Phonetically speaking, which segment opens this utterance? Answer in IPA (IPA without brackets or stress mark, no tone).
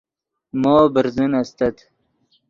m